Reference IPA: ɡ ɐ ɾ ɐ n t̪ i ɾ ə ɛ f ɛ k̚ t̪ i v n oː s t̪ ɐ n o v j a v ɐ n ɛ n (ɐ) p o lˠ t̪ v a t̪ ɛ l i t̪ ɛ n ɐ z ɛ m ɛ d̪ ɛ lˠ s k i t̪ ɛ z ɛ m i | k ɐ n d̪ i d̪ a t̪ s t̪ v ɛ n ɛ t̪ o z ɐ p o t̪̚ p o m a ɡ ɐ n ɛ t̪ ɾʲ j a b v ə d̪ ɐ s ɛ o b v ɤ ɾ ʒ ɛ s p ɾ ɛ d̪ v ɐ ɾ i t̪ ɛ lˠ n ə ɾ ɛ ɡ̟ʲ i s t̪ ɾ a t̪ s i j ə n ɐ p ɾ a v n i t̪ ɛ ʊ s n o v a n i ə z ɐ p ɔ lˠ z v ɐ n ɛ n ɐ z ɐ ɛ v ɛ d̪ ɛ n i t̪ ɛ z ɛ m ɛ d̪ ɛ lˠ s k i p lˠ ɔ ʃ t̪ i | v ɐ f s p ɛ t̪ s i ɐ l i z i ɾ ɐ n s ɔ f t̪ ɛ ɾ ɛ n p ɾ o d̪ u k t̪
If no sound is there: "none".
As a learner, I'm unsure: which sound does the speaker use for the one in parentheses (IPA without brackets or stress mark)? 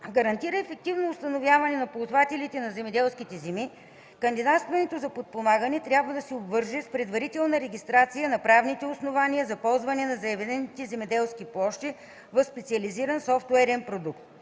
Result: ɐ